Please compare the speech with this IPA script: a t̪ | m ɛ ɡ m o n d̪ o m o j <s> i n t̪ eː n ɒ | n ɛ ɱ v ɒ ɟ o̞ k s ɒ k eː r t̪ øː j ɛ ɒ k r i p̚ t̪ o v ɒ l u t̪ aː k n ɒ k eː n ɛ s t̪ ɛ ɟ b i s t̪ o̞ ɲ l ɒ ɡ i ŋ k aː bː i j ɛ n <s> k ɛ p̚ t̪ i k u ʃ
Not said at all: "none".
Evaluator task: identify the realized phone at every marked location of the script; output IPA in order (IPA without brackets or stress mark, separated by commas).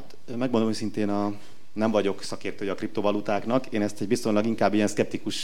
s, s